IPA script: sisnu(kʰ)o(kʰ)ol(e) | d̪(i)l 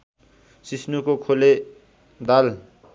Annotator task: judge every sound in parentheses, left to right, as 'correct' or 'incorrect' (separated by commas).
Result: incorrect, correct, correct, incorrect